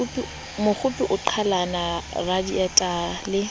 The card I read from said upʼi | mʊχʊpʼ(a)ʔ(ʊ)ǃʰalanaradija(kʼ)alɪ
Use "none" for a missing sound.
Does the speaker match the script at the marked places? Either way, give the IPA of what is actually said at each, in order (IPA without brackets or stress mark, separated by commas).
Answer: i, ʊ, tʼ